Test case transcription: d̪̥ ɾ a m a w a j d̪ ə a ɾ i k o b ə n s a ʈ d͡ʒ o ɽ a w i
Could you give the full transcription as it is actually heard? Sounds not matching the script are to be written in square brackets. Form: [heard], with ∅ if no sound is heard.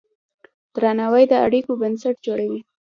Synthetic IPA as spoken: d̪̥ ɾ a [n] a w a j d̪ ə a [ɽ] i k o b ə n s a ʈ d͡ʒ o ɽ a w i